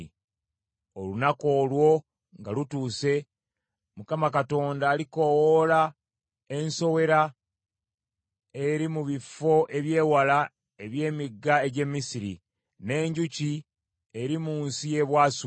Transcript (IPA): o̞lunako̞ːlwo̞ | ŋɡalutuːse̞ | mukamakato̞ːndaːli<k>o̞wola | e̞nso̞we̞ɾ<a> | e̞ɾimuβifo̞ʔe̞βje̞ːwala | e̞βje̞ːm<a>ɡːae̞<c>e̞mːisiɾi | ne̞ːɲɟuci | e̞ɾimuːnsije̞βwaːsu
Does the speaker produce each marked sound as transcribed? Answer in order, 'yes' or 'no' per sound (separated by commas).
yes, yes, no, no